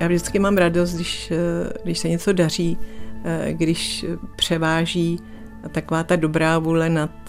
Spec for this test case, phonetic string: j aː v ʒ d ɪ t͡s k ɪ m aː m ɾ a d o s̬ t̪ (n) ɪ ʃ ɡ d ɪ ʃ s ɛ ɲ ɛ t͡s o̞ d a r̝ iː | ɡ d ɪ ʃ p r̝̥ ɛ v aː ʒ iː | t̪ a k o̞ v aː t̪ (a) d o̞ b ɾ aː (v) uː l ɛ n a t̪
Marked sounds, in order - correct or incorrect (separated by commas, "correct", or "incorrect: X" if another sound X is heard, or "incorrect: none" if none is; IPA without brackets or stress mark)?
incorrect: d, correct, correct